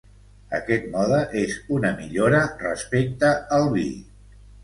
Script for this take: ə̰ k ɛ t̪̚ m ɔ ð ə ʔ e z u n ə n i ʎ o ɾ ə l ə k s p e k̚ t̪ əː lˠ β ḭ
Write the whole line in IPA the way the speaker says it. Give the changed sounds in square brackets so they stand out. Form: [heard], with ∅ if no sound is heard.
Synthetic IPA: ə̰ k ɛ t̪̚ m ɔ ð ə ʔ e z u n ə [m] i ʎ o ɾ ə [r] ə [∅] s p e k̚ t̪ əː lˠ β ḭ